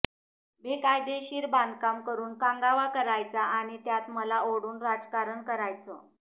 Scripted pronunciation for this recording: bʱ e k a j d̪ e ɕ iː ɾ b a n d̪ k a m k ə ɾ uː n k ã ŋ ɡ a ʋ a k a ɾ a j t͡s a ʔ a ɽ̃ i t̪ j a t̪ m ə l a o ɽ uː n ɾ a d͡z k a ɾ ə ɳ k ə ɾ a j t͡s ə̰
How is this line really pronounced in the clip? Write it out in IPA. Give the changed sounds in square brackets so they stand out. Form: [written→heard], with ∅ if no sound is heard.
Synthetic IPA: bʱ e k a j d̪ e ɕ iː ɾ b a n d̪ k a m k ə ɾ uː n k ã ŋ ɡ a ʋ a k [a→ə] ɾ a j t͡s a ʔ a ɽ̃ i t̪ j a t̪ m ə l a o ɽ uː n ɾ a d͡z k a ɾ ə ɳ k ə ɾ a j t͡s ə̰